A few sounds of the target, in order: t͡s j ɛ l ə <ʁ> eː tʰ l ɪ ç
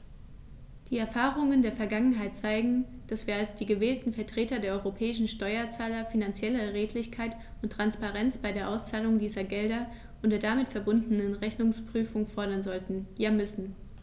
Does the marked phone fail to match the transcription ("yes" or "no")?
no